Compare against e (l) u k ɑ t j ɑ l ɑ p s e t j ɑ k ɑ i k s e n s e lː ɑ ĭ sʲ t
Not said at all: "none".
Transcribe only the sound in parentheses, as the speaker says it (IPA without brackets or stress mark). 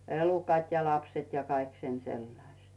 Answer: l